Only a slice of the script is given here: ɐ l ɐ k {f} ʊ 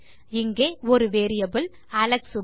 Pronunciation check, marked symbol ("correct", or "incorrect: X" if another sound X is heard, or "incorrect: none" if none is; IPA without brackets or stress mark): incorrect: s